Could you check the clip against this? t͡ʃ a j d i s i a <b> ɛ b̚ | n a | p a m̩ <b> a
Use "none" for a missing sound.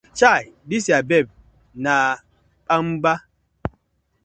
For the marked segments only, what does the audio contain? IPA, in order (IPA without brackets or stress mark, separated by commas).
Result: b, b